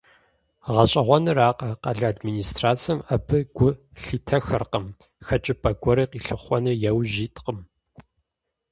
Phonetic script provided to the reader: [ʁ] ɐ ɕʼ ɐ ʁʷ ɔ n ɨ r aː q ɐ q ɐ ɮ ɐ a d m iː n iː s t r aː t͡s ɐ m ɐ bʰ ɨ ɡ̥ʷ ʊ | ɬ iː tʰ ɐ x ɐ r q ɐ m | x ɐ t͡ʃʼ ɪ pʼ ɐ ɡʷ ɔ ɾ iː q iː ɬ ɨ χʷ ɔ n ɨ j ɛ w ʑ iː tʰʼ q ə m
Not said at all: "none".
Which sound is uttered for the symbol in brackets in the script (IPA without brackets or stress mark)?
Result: ʁ